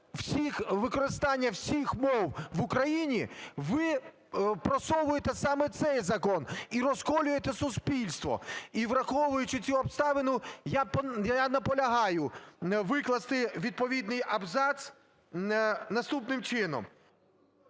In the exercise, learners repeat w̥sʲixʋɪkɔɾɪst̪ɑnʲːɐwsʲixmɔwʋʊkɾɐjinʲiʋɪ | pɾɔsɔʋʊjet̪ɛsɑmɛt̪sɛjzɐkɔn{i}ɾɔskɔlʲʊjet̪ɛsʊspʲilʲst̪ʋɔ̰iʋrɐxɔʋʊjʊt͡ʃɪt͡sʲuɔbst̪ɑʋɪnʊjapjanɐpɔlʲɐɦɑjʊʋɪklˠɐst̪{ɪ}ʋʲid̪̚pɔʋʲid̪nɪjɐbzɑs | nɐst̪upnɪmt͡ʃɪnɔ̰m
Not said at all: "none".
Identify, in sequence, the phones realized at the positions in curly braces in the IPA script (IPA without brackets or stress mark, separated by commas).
i, ɪ